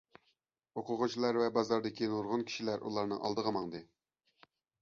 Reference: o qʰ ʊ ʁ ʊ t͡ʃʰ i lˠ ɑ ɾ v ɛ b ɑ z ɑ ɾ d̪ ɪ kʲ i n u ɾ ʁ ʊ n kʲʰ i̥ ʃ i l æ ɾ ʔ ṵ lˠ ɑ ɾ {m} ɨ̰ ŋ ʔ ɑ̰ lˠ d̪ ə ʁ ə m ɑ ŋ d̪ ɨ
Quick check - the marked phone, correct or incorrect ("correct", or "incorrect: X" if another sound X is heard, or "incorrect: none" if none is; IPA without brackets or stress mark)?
incorrect: n